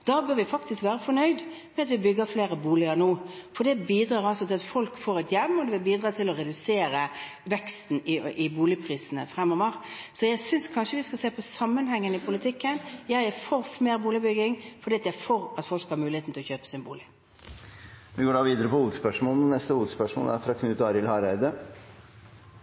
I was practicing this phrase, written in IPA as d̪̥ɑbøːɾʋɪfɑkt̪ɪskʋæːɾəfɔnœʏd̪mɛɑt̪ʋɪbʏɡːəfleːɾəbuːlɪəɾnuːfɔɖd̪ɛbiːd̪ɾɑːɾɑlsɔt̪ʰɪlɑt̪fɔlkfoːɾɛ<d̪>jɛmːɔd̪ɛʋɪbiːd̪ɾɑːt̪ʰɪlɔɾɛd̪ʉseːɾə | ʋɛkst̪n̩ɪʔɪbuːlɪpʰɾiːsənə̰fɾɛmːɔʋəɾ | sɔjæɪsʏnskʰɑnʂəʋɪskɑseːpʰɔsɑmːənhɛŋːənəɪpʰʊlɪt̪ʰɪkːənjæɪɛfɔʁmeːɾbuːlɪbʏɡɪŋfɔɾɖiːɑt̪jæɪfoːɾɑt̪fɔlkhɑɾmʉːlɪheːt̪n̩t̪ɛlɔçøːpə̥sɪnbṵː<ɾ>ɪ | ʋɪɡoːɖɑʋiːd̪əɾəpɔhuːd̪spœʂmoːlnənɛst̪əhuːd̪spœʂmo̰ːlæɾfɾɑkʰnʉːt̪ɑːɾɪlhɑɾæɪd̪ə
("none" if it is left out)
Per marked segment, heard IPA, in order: t̪, l

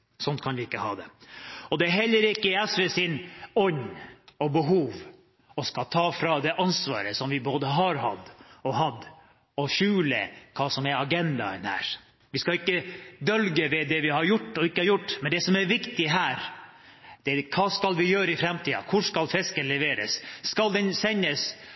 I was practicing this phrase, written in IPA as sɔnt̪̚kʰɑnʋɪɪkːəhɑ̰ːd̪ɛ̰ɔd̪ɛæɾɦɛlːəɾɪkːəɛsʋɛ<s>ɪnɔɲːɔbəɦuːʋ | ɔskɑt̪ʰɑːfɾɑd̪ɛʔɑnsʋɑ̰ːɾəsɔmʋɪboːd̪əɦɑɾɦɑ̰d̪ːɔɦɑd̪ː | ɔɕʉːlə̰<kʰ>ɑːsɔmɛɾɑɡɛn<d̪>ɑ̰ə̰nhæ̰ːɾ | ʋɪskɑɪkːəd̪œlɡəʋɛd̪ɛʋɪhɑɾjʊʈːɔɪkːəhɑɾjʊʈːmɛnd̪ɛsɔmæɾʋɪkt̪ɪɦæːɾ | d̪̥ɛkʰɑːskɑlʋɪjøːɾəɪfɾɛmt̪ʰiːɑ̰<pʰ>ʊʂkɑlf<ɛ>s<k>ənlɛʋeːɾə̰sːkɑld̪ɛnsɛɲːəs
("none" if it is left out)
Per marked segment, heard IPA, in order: s, kʰ, d̪, kʰ, ɛ, k

